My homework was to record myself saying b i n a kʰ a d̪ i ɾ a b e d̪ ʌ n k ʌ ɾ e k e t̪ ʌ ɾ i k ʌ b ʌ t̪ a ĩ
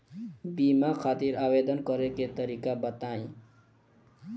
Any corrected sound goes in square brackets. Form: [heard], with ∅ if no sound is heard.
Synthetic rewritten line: b i [m] a kʰ a [t̪] i ɾ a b e d̪ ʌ n k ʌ ɾ e k e t̪ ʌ ɾ i k [a] b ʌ t̪ a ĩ